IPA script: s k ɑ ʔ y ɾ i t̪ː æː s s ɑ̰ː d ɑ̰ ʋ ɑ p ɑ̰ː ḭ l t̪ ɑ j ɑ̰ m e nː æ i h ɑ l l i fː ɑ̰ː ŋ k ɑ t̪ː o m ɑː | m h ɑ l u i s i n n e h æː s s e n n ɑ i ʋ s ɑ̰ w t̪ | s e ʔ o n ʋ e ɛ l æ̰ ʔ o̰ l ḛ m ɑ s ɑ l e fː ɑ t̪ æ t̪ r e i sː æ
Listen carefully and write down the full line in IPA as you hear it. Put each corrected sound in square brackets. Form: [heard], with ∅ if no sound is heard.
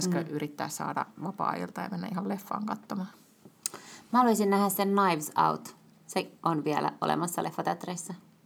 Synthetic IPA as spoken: s k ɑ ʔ y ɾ i t̪ː æː s s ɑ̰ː d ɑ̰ ʋ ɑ p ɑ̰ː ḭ l t̪ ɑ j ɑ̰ m e nː æ i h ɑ l l [e] fː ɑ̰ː ŋ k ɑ t̪ː o m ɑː | m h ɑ l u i s i n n [æ] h [æ] s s e n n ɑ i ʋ s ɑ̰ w t̪ | s e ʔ o n ʋ [i] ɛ l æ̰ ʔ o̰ l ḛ m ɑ [sː] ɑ l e fː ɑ t̪ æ t̪ r e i sː æ